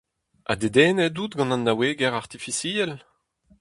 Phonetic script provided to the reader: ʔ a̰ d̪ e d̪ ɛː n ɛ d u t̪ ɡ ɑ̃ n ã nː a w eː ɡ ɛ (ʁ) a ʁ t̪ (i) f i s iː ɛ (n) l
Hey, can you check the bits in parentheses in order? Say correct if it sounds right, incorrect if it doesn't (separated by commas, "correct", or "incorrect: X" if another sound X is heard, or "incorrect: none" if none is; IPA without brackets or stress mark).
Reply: correct, correct, incorrect: none